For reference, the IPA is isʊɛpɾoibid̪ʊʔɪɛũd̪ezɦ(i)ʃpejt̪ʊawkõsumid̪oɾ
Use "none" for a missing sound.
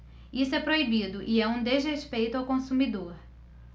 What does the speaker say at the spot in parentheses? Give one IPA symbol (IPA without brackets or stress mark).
e